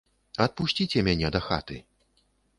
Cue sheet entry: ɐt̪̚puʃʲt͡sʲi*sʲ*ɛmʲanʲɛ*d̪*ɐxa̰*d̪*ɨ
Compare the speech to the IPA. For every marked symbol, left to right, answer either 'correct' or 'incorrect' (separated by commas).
incorrect, correct, incorrect